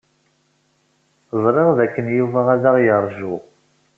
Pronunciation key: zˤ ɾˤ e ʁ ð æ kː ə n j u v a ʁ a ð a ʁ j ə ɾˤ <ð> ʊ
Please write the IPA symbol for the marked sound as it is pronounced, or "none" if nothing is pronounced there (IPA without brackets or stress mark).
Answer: ʒ